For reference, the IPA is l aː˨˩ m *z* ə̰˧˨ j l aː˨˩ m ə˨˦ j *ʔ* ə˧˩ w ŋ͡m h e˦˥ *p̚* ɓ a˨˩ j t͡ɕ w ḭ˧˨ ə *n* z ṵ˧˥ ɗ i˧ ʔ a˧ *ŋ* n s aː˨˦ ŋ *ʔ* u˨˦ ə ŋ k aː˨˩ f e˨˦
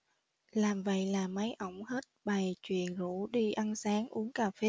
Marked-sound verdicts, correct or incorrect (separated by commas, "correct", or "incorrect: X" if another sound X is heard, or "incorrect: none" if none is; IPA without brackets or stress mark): incorrect: v, correct, incorrect: t̚, correct, incorrect: none, correct